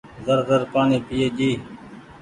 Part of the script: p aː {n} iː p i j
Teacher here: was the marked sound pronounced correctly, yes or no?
yes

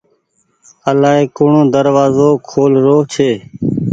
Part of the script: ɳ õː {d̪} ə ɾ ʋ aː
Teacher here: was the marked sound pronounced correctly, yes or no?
yes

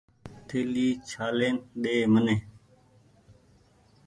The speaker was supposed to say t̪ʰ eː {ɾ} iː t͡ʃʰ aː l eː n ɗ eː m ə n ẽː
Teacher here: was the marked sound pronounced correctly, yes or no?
no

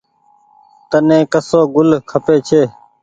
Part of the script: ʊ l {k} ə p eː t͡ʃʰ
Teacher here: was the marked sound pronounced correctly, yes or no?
no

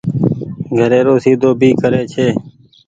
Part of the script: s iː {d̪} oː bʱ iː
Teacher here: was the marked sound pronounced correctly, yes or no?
yes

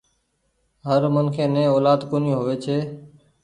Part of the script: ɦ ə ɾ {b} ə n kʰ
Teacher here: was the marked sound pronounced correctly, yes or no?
no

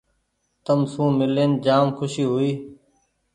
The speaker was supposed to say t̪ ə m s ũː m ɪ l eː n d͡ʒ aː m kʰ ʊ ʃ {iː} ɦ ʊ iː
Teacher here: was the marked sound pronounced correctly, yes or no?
yes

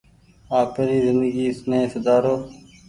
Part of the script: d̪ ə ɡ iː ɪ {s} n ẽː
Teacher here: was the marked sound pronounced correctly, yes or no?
yes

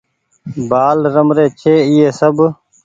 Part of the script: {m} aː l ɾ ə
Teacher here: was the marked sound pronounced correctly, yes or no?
no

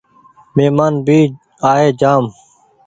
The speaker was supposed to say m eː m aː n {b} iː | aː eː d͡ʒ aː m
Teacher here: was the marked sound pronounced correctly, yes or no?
yes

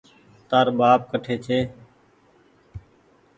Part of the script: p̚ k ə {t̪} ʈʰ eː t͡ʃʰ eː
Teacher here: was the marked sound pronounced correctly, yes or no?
no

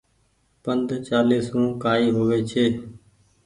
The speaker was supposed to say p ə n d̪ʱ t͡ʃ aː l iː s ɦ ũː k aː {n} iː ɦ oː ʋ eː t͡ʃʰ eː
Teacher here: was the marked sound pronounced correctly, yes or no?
no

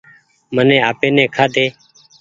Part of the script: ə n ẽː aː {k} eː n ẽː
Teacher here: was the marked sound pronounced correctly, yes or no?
no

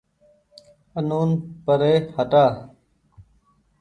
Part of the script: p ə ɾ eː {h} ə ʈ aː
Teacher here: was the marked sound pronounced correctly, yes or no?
yes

